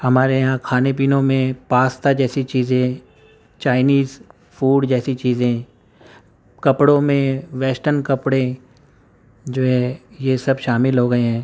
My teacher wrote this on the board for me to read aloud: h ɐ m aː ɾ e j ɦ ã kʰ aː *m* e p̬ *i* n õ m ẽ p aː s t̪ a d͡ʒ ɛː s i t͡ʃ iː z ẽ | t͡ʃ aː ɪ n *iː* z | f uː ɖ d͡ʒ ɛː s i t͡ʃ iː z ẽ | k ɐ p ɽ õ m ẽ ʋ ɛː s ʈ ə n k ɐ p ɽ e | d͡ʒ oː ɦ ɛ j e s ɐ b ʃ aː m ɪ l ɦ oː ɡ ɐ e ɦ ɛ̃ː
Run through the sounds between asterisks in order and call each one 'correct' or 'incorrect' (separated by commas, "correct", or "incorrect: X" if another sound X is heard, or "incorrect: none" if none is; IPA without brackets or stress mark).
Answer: incorrect: n, incorrect: iː, correct